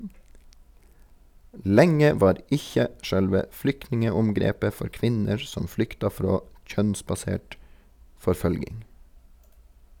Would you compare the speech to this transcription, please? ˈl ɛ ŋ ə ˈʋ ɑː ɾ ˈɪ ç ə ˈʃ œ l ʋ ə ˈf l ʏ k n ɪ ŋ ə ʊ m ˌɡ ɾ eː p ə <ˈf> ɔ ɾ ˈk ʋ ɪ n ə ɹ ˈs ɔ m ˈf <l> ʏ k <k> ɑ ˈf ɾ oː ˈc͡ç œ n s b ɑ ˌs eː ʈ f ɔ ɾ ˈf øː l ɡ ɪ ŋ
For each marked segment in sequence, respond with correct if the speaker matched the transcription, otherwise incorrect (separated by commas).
correct, correct, incorrect